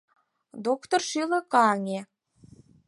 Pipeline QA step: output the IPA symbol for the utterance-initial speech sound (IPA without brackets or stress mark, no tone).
d̪